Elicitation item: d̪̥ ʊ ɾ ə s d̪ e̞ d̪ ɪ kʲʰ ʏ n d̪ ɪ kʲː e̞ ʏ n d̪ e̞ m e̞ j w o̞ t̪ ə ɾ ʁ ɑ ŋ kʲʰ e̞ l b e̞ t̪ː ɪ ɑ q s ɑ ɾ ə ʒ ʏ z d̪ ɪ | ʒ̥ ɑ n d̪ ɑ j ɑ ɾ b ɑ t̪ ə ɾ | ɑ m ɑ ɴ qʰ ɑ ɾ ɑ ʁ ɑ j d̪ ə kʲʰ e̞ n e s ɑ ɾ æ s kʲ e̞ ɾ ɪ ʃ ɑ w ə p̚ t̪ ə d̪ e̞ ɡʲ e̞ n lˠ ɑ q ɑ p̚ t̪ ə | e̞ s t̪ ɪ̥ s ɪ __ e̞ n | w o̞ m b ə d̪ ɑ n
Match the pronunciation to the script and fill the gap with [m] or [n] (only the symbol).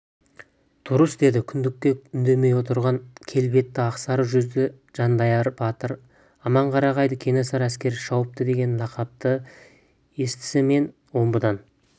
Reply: m